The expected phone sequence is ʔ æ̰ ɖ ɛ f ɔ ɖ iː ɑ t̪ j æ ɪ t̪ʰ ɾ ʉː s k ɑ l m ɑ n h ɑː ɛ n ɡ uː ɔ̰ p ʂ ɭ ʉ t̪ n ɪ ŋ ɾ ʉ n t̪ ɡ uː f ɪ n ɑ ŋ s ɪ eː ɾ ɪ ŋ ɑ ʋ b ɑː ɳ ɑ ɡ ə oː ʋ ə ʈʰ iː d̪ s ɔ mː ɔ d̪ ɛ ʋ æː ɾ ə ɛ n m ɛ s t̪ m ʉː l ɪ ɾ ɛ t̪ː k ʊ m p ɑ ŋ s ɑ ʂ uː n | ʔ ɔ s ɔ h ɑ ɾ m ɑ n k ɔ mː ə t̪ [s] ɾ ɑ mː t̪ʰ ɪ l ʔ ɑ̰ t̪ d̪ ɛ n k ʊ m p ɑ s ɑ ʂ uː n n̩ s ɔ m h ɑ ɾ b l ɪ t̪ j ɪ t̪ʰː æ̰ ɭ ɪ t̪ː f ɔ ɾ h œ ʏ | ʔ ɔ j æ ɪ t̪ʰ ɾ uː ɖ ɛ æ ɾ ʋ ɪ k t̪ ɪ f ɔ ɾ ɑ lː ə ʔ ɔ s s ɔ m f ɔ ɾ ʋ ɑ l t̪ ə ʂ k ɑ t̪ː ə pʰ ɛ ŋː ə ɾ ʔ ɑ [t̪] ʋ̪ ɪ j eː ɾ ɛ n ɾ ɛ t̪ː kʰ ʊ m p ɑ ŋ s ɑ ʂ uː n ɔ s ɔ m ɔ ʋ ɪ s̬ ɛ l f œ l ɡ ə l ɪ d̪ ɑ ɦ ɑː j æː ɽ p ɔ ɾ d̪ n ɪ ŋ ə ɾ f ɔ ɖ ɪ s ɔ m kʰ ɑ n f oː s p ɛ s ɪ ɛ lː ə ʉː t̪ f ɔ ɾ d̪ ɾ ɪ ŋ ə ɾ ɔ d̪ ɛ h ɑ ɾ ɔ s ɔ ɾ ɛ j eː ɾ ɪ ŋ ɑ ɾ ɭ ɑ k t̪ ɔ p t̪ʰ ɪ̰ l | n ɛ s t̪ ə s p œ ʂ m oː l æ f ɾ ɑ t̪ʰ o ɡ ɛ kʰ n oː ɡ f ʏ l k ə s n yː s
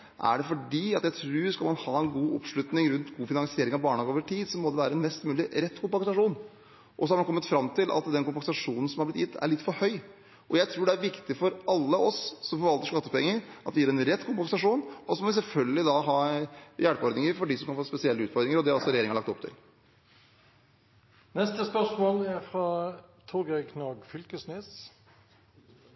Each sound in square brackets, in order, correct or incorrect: incorrect, correct

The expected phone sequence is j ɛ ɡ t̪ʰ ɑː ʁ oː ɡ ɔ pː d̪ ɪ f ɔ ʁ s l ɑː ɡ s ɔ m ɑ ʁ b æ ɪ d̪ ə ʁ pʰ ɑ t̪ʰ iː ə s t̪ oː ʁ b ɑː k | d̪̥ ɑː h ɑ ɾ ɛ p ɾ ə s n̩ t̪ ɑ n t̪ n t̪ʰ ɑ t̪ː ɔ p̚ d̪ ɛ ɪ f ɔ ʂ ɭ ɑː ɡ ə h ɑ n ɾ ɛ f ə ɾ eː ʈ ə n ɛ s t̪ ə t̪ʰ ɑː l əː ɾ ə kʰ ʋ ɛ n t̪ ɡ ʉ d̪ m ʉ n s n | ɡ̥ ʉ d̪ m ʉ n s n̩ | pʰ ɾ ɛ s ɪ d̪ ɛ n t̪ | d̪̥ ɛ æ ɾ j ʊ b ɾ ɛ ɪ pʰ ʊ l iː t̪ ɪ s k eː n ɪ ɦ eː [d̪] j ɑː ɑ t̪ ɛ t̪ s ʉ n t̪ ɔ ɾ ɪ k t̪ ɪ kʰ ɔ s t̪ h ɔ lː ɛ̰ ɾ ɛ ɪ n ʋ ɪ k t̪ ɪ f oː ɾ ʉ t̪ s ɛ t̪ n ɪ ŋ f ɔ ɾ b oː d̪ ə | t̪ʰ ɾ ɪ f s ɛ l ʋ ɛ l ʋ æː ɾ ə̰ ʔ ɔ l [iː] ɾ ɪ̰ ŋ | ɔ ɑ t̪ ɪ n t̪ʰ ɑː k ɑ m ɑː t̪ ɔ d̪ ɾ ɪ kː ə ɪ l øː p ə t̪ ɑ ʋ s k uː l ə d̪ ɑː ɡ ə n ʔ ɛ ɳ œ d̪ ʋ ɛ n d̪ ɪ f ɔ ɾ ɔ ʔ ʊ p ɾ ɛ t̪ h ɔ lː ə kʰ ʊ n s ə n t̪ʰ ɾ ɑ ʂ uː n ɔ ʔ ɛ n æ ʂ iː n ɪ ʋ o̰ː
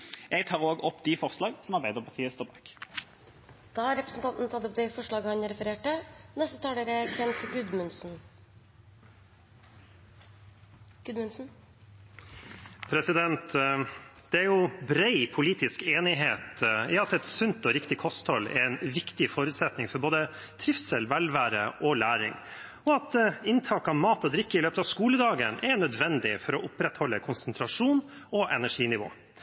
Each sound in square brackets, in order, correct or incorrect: incorrect, incorrect

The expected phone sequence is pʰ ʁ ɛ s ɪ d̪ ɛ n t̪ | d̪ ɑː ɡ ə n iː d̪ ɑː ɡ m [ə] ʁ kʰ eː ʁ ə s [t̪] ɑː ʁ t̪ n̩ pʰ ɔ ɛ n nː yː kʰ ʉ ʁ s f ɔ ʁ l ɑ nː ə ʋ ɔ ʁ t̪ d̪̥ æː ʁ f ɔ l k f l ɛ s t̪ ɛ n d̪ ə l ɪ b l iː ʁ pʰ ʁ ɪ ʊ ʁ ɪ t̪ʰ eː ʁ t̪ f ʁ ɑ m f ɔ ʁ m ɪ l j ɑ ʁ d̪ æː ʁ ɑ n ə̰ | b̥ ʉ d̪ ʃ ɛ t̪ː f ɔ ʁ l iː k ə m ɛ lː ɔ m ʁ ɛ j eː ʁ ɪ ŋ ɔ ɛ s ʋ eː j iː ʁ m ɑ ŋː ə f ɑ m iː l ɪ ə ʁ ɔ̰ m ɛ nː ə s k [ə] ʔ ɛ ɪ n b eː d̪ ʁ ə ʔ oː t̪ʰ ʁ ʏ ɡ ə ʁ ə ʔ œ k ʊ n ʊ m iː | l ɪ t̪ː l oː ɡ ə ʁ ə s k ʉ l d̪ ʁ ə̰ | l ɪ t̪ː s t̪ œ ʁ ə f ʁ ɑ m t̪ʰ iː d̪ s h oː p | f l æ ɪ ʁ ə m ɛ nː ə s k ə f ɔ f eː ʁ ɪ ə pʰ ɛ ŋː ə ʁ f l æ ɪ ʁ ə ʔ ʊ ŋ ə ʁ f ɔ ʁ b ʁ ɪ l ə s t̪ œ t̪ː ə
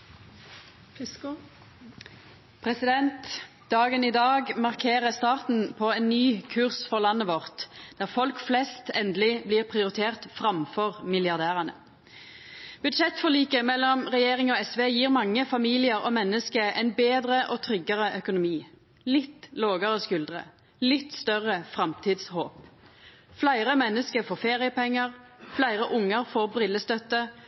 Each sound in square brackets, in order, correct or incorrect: incorrect, correct, correct

